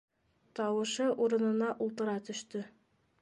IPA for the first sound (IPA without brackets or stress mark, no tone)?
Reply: t̪